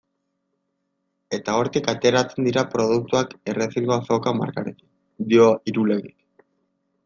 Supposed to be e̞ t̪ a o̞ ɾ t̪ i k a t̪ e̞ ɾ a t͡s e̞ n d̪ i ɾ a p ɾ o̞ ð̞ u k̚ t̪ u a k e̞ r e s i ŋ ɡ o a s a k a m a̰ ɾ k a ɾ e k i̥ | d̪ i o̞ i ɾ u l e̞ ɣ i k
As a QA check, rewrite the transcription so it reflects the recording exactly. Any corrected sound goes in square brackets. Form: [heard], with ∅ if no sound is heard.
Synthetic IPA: e̞ t̪ a o̞ ɾ t̪ i k a t̪ e̞ ɾ a t͡s e̞ n d̪ i ɾ a p ɾ o̞ ð̞ u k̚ t̪ u a k e̞ r e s i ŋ ɡ o a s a k a m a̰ ɾ k a ɾ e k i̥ | d̪ i o̞ i ɾ u l e̞ ɣ i k